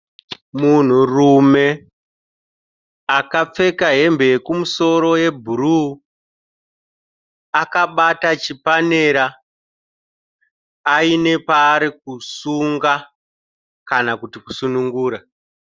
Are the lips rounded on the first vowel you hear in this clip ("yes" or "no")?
yes